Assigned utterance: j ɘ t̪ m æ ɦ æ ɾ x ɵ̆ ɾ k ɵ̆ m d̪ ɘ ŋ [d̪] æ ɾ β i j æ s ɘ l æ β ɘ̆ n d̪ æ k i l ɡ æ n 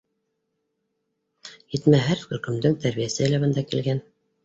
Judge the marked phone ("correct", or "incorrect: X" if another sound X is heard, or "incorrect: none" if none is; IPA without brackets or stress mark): incorrect: t̪